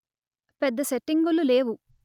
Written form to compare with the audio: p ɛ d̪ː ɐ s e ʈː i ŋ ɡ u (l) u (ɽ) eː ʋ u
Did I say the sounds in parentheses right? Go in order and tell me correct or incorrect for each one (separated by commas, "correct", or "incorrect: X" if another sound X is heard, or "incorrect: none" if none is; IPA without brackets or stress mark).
correct, incorrect: l